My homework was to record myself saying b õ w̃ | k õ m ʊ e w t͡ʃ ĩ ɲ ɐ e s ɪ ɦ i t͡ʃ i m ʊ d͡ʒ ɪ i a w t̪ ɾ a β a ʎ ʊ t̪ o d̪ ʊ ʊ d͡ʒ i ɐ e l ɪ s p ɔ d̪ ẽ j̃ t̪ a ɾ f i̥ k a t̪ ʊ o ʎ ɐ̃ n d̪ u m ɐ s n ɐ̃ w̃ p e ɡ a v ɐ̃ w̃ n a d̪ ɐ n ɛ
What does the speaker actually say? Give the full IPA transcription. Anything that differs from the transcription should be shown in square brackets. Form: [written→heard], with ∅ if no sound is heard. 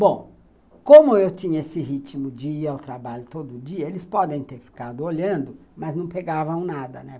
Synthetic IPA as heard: b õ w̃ | k õ m ʊ e w t͡ʃ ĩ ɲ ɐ e s ɪ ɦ i t͡ʃ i m ʊ d͡ʒ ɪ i a w t̪ ɾ a [β→b] a ʎ ʊ t̪ o d̪ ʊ ʊ d͡ʒ i ɐ e l ɪ s p ɔ d̪ ẽ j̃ t̪ [a→e] ɾ f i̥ k a [t̪→d̪] ʊ o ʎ ɐ̃ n d̪ [u→ʊ] m ɐ [s→z] n ɐ̃ w̃ p e ɡ a v ɐ̃ w̃ n a d̪ ɐ n ɛ